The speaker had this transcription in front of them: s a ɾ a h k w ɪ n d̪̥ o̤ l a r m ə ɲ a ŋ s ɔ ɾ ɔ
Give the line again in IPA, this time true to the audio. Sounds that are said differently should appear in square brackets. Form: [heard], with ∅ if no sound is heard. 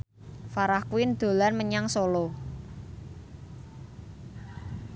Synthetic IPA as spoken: [f] a ɾ a h k w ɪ n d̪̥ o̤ l a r m ə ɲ a ŋ s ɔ [l] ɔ